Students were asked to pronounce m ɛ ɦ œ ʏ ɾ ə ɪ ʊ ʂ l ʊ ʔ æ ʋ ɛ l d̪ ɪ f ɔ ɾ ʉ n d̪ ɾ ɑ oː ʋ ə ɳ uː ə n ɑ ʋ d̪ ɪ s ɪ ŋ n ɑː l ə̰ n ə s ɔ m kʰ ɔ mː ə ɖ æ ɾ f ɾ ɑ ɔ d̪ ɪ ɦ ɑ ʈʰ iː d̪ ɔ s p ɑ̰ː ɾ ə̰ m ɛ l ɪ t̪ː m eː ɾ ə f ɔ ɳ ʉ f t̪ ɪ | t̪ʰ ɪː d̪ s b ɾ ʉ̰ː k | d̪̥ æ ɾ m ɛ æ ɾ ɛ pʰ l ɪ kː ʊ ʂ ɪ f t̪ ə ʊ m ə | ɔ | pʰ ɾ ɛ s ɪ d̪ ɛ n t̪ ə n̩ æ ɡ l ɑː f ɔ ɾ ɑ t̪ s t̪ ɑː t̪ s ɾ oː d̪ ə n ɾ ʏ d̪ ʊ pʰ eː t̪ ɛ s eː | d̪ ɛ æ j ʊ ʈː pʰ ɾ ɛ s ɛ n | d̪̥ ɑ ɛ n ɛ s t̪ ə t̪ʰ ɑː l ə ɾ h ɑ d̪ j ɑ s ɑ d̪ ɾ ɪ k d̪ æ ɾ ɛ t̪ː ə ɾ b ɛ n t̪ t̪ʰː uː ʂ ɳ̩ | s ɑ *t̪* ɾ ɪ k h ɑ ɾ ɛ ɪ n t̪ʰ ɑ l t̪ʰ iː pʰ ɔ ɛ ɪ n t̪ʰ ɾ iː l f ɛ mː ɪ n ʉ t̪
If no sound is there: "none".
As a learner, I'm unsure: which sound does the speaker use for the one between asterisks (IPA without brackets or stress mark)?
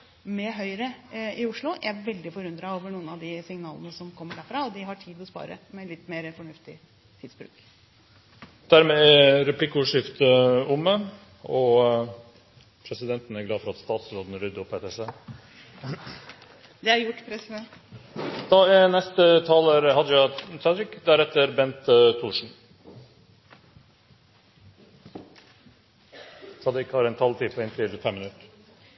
d̪